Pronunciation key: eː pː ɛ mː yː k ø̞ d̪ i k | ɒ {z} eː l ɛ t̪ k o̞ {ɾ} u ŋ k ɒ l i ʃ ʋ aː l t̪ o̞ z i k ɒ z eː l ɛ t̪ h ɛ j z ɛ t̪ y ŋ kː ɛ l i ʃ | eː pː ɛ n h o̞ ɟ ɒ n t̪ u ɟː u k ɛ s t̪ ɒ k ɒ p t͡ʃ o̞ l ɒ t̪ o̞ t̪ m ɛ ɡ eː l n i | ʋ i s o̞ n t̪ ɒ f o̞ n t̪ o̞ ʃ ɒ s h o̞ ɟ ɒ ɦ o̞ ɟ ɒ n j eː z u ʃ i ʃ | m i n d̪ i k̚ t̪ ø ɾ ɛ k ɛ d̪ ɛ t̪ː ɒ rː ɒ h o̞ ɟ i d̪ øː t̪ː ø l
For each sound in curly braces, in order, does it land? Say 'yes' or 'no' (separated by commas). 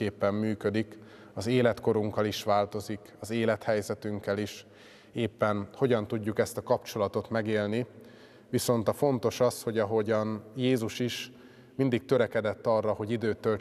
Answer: yes, yes